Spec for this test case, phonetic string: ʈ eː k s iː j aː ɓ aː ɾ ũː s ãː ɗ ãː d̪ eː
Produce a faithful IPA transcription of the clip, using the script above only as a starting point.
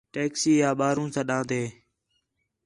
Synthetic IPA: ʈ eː k s iː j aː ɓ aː ɾ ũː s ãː ɗ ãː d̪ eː